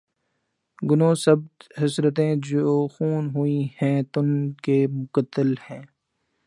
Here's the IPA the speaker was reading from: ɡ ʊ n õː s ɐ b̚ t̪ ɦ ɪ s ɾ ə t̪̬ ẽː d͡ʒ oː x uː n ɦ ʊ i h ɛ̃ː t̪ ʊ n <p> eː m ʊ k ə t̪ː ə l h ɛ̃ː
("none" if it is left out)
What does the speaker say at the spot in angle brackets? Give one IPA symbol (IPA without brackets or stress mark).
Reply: k